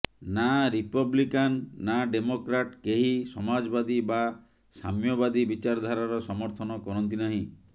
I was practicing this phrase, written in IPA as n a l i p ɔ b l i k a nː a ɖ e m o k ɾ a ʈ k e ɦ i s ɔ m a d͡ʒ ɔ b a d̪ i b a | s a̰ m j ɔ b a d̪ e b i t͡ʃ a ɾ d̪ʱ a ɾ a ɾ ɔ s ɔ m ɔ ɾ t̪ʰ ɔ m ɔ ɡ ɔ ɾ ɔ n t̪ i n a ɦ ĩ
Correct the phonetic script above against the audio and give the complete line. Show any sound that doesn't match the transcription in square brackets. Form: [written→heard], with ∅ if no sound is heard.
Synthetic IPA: n a [l→ɾ] i p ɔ b l i k a nː a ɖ e m o k ɾ a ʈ k e ɦ i s ɔ m a d͡ʒ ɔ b a d̪ i b a | s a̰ m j ɔ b a d̪ [e→i] b i t͡ʃ a ɾ d̪ʱ a ɾ a ɾ ɔ s ɔ m ɔ ɾ t̪ʰ ɔ [m→n] ɔ [ɡ→k] ɔ ɾ ɔ n t̪ i n a ɦ ĩ